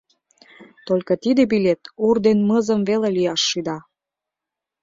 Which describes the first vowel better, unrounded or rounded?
rounded